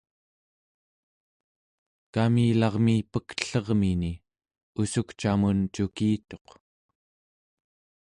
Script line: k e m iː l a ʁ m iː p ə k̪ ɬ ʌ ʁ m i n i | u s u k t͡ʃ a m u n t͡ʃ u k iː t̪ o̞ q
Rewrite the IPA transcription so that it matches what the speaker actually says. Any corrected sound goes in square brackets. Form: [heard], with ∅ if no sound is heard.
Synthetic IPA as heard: k [a] m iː l [ɑ] ʁ m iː p ə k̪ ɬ ʌ ʁ m i n i | u s u k t͡ʃ a m u n t͡ʃ u k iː t̪ o̞ q